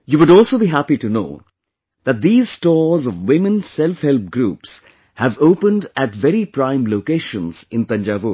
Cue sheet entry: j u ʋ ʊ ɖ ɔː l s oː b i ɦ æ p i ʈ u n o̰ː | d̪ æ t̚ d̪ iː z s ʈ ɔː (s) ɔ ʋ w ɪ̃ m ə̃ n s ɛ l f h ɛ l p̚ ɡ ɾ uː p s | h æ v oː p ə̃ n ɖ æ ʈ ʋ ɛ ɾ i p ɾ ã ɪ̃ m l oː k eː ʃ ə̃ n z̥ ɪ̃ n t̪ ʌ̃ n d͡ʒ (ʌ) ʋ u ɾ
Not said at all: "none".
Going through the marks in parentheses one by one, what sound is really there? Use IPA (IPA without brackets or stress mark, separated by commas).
z, a